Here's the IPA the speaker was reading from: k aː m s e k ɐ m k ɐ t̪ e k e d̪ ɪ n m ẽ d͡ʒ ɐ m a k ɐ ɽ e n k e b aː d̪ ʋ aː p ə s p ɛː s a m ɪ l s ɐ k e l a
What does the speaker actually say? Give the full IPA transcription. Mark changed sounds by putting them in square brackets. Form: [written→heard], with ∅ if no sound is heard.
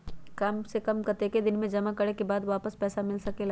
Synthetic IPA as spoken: k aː m s e k ɐ m k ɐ t̪ e k e d̪ ɪ n m ẽ d͡ʒ ɐ m a k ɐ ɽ e [n→∅] k e b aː d̪ ʋ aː p ə s p ɛː s a m ɪ l s ɐ k e l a